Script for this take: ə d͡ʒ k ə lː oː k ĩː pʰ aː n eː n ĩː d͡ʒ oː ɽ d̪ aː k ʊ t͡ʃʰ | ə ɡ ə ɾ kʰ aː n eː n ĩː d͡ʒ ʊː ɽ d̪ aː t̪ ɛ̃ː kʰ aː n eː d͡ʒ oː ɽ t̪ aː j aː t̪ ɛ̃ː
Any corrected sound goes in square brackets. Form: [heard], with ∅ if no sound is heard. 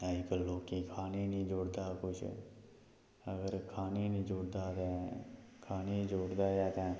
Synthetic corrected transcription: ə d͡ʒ k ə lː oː k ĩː [kʰ] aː n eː n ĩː d͡ʒ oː ɽ d̪ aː k ʊ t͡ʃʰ | ə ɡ ə ɾ kʰ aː n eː n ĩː d͡ʒ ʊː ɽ d̪ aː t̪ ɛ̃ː kʰ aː n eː d͡ʒ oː ɽ [d̪] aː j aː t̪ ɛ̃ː

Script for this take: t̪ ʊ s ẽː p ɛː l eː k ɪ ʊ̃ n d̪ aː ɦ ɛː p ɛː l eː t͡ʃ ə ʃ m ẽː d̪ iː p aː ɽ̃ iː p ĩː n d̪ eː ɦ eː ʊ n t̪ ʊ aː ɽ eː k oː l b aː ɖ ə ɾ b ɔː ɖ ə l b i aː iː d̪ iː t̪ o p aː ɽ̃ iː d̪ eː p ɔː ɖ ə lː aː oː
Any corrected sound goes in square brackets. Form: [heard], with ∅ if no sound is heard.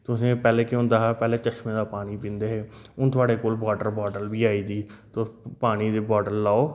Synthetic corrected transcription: t̪ ʊ s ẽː p ɛː l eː k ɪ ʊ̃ n d̪ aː ɦ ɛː p ɛː l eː t͡ʃ ə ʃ m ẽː d̪ [aː] p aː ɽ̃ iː p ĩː n d̪ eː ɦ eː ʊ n t̪ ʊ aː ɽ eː k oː l b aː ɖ ə ɾ b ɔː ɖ ə l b [iː] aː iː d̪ iː t̪ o p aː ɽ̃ iː d̪ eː [b] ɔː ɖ ə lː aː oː

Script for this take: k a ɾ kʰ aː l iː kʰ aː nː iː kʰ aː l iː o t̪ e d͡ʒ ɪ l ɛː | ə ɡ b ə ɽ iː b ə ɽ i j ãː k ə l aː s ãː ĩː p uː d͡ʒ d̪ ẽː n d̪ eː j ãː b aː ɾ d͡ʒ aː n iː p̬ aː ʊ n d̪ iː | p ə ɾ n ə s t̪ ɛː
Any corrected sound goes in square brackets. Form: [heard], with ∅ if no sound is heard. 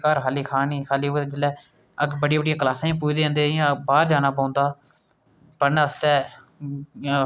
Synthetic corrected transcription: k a ɾ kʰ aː l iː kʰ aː [n] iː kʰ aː l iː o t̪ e d͡ʒ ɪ l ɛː | ə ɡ b ə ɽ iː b ə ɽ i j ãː k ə l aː s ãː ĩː p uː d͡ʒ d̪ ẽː n d̪ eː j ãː b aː ɾ d͡ʒ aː n [aː] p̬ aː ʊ n d̪ [aː] | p ə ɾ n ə s t̪ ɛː

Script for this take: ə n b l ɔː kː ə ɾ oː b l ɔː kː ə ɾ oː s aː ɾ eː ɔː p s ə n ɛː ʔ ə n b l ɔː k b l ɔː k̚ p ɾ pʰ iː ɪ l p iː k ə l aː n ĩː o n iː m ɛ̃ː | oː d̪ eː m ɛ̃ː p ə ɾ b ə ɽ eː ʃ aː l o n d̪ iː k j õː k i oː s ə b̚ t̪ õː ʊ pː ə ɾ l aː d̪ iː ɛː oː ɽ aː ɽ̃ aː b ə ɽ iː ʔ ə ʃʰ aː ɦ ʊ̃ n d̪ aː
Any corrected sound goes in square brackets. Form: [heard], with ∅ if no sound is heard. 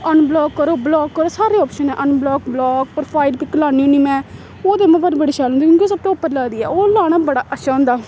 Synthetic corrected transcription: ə n b l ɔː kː ə ɾ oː b l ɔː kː ə ɾ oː s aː ɾ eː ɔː p [ʃ] ə n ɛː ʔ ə n b l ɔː k b l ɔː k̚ p ɾ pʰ [aː] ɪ l p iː k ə l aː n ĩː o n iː m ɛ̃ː | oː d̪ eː m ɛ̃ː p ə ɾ b ə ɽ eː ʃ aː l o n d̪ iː k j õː k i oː s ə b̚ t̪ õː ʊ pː ə ɾ l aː d̪ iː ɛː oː [l] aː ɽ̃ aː b ə ɽ [aː] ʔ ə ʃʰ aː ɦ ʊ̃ n d̪ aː

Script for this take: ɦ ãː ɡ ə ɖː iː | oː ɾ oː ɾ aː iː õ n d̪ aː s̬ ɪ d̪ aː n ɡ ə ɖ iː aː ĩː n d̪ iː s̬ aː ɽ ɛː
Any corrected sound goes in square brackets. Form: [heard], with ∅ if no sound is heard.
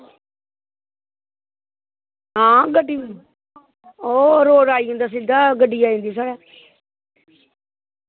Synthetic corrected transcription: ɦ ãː ɡ ə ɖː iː | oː ɾ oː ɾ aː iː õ n d̪ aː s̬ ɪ d̪ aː [∅] ɡ ə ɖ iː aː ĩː n d̪ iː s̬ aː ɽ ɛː

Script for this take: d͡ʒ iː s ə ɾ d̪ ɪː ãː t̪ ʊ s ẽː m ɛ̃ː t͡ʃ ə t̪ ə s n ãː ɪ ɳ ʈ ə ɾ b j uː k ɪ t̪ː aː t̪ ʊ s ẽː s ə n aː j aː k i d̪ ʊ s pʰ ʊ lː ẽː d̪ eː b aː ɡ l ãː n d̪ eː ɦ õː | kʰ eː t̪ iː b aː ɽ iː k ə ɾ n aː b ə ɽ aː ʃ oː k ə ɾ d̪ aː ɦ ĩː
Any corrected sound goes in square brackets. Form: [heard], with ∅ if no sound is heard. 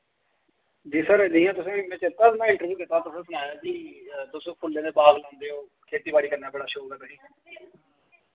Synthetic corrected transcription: d͡ʒ iː s ə ɾ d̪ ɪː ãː t̪ ʊ s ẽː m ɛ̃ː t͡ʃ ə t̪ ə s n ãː ɪ ɳ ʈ ə ɾ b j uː k ɪ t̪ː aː t̪ ʊ s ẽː s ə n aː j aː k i [t̪] ʊ s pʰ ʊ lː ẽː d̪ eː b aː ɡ l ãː n d̪ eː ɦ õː | kʰ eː t̪ iː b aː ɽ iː k ə ɾ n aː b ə ɽ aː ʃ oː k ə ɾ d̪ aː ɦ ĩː

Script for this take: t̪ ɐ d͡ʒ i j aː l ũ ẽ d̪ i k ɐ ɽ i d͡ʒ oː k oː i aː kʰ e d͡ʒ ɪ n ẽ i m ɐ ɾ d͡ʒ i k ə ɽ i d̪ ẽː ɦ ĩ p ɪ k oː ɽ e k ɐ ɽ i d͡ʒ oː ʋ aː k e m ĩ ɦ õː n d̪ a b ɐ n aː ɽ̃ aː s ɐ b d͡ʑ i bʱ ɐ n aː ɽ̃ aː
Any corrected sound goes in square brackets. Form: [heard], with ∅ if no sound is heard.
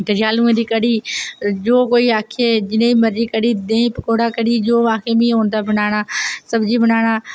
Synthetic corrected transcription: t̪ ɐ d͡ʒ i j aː l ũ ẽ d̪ i k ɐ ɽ i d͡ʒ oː k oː i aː kʰ e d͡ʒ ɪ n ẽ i m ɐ ɾ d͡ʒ i k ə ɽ i d̪ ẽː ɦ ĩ p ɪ k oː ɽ [a] k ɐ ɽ i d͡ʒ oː ʋ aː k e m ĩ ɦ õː n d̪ a b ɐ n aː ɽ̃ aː s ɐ b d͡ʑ i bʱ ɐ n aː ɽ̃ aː

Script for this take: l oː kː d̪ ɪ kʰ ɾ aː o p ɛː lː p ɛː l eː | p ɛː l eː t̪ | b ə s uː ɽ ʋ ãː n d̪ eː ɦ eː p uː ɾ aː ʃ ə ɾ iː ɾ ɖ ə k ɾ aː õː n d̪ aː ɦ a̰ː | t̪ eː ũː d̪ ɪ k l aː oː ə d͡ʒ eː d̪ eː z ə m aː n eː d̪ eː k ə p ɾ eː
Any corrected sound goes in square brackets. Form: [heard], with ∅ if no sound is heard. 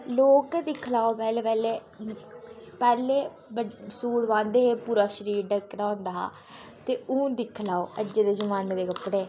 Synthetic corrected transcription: l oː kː d̪ ɪ kʰ [l] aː o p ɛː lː p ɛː l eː | p ɛː l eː [∅] | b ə s uː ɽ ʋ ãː n d̪ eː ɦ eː p uː ɾ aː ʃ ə ɾ iː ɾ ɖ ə k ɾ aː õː n d̪ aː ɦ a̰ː | t̪ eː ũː d̪ ɪ [kʰ] l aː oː ə d͡ʒ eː d̪ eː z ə m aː n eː d̪ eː k ə p [ɽ] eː

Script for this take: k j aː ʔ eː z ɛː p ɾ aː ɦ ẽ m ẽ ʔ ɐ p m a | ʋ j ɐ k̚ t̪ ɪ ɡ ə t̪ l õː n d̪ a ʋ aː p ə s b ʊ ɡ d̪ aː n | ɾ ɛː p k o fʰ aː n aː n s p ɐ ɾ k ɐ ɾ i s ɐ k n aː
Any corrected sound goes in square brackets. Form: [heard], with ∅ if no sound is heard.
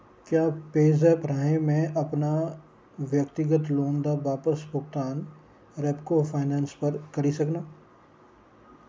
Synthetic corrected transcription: k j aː [p] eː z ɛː p ɾ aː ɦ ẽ m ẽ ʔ ɐ p [n] a | ʋ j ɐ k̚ t̪ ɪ ɡ ə t̪ l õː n d̪ a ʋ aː p ə s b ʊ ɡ [t̪] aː n | ɾ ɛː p k o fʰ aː n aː n s p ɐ ɾ k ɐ ɾ i s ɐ k n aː

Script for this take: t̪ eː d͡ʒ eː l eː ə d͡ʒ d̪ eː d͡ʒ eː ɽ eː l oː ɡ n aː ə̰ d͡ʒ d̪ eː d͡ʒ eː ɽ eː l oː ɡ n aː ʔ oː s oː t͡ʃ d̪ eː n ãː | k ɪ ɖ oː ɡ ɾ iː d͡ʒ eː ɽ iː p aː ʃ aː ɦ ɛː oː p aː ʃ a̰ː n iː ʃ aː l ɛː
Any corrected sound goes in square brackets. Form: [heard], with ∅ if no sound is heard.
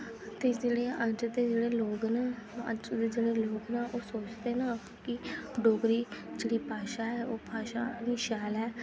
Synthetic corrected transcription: t̪ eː d͡ʒ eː [ɽ] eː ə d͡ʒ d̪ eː d͡ʒ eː ɽ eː l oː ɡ n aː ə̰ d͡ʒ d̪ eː d͡ʒ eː ɽ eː l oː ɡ n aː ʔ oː s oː t͡ʃ d̪ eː n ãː | k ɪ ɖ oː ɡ ɾ iː d͡ʒ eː ɽ iː p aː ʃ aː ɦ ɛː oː p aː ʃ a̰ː n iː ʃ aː l ɛː

